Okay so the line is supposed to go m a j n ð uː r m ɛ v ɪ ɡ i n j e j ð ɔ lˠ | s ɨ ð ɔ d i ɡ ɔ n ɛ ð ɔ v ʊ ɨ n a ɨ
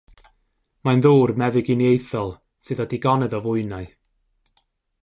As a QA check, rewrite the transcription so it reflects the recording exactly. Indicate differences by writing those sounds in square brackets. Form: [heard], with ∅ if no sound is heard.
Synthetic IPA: m a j n ð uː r m ɛ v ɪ ɡ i n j e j [θ] ɔ lˠ | s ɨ ð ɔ d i ɡ ɔ n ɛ ð ɔ v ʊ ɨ n a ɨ